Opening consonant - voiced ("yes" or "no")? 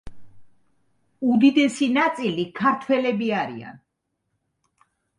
yes